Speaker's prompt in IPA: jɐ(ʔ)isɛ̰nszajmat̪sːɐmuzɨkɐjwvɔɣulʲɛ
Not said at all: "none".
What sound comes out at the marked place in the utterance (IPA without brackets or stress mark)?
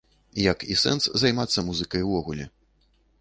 k